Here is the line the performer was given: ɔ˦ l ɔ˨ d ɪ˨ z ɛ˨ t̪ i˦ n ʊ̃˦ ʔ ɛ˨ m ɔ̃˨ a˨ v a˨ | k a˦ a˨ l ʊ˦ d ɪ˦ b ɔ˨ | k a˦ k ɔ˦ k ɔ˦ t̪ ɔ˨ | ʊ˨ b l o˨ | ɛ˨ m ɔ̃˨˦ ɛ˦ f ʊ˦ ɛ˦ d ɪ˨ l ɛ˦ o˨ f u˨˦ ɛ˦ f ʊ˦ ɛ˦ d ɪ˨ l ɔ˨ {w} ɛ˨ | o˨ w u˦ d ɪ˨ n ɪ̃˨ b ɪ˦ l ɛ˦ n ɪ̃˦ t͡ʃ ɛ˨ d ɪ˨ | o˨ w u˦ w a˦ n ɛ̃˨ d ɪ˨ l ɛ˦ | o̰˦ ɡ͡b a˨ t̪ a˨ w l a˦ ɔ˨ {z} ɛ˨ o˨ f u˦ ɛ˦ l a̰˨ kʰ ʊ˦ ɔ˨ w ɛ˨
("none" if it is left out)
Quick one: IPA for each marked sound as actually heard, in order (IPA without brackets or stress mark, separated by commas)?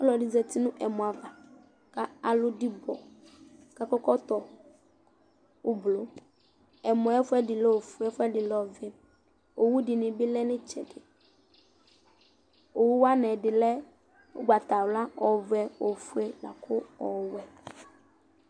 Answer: v, v